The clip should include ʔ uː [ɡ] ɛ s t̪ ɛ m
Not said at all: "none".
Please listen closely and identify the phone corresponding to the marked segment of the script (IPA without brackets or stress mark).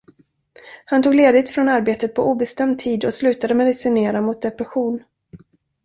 b